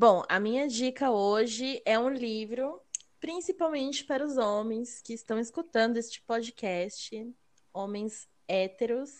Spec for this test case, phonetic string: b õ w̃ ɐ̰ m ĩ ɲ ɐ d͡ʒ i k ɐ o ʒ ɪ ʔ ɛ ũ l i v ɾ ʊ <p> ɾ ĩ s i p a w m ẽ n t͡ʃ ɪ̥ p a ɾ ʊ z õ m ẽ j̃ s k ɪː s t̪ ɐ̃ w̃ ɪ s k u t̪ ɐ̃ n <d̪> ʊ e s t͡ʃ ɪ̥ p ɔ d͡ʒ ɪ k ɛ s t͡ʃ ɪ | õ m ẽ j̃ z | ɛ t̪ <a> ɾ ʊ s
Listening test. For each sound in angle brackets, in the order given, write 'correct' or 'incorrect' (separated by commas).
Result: correct, correct, incorrect